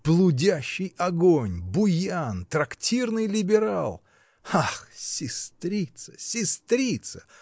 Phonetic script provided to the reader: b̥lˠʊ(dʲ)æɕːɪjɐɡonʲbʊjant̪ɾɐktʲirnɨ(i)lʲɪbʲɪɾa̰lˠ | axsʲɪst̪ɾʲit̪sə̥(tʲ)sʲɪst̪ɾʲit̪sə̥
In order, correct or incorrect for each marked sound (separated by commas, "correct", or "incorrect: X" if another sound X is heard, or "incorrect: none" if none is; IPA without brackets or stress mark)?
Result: correct, incorrect: j, incorrect: none